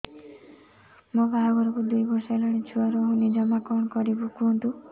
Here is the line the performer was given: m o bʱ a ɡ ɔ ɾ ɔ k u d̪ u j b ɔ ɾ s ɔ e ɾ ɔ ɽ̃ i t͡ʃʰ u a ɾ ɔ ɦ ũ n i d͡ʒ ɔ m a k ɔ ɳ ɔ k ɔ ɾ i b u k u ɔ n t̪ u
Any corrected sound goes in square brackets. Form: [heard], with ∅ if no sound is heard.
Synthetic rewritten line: m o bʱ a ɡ ɔ ɾ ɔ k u d̪ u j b ɔ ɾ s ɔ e [l] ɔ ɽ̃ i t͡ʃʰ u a ɾ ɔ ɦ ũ n i d͡ʒ ɔ m a k ɔ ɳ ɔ k ɔ ɾ i b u k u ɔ n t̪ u